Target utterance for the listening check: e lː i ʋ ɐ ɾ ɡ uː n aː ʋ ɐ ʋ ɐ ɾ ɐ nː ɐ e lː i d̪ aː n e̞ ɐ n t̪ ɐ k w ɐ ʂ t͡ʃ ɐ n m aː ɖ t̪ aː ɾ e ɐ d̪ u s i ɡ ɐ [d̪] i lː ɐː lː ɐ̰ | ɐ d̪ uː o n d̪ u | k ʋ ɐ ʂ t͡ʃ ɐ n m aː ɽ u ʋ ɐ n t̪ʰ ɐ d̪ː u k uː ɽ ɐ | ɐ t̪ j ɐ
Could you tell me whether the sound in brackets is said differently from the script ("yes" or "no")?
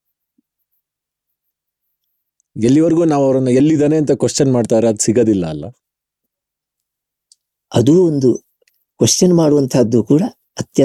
no